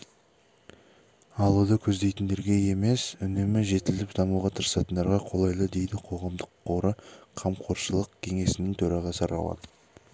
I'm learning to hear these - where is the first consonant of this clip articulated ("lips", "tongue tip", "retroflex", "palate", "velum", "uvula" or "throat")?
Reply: tongue tip